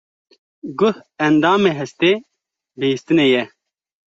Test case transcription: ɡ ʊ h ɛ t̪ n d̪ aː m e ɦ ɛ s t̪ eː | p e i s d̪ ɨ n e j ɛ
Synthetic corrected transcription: ɡ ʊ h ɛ n d̪ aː m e ɦ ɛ s t̪ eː | b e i s t̪ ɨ n e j ɛ